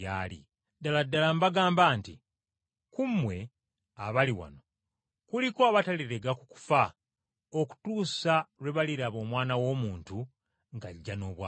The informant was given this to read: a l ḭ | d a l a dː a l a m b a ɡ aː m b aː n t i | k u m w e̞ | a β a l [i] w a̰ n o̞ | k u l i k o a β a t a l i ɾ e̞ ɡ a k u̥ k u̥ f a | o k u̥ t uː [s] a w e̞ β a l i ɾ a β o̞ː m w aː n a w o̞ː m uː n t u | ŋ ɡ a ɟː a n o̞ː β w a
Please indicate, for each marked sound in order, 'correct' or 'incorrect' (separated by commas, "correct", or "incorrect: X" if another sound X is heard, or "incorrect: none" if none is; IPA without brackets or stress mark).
correct, correct